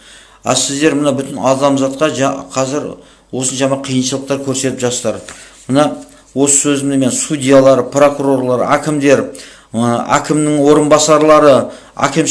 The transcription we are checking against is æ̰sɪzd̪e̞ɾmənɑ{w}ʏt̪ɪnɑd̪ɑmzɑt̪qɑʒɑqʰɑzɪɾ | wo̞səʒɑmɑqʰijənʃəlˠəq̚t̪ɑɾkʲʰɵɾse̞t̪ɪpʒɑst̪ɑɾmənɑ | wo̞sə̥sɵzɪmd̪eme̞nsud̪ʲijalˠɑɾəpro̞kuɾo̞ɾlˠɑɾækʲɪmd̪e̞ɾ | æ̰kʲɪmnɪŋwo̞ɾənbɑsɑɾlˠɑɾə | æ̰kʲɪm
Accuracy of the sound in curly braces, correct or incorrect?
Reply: incorrect